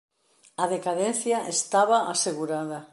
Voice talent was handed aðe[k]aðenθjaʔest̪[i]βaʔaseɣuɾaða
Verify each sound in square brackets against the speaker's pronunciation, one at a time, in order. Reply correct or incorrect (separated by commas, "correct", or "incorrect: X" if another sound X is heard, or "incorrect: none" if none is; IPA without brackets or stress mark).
correct, incorrect: a